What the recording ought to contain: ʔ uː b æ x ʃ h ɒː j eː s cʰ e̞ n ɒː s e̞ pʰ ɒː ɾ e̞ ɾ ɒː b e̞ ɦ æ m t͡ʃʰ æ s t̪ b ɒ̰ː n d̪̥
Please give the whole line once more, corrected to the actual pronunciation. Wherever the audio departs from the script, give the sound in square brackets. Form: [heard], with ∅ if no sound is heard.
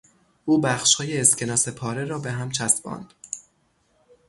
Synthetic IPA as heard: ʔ uː b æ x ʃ h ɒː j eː s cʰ e̞ n ɒː s e̞ pʰ ɒː ɾ e̞ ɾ ɒː b e̞ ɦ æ m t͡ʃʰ æ s t̪ b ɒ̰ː n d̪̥